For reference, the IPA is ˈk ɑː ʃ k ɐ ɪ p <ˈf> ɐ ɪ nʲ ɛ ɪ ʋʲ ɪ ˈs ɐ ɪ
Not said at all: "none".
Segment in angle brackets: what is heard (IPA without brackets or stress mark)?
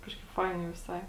f